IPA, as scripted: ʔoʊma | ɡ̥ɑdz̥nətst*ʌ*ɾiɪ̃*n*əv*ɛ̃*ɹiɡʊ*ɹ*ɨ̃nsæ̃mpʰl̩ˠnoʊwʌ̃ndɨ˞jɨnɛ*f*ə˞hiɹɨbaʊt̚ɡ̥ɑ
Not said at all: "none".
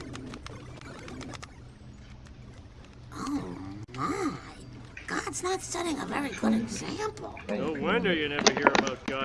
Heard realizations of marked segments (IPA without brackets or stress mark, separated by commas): ʌ, ŋ, ɛ, ɾ, v